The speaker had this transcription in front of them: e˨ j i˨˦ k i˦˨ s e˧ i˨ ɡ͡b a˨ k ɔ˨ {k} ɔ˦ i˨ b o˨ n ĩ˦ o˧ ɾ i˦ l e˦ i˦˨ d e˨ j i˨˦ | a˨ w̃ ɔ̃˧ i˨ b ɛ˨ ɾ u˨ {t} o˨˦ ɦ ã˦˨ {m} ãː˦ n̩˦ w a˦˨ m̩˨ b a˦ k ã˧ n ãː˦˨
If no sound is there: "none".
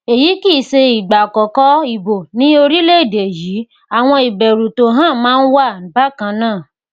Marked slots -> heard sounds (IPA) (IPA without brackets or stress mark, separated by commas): k, t, m